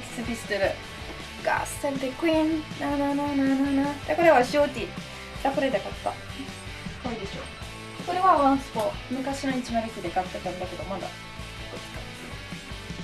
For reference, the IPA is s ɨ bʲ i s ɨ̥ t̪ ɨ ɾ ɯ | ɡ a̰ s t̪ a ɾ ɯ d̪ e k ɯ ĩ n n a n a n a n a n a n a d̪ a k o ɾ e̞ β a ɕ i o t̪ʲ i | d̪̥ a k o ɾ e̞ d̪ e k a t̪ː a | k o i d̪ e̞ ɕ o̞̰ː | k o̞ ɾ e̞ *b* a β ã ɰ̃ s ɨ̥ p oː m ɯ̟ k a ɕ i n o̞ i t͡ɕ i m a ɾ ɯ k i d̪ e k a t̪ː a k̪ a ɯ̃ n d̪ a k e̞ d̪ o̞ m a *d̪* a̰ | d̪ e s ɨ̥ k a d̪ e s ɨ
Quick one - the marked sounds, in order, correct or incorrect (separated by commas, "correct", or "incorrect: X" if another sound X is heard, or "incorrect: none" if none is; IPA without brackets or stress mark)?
incorrect: β, correct